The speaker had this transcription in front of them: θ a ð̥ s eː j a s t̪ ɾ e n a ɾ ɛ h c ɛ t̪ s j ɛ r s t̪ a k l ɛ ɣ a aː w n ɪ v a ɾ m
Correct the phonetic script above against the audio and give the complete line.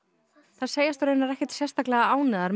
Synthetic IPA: θ a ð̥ s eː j a s t̪ ɾ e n a ɾ ɛ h c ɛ t̪ s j ɛ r s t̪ a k l ɛ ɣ a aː w n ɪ ð a ɾ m